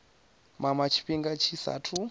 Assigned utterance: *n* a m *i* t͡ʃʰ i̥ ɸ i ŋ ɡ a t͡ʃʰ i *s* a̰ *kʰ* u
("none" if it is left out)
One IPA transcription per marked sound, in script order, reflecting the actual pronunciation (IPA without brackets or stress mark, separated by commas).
m, a, s, tʰ